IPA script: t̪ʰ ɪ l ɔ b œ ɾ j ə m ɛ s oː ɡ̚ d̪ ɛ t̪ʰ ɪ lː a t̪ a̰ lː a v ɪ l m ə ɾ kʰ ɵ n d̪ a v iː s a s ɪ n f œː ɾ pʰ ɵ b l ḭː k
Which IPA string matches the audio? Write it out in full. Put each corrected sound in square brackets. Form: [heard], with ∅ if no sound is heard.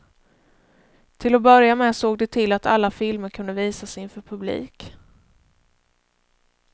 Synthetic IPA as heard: t̪ʰ ɪ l ɔ b œ ɾ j [a] m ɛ s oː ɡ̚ d̪ ɛ t̪ʰ ɪ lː a t̪ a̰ lː a [f] ɪ l m ə ɾ kʰ ɵ n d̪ [ə] v iː s a s ɪ n f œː ɾ pʰ ɵ b l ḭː k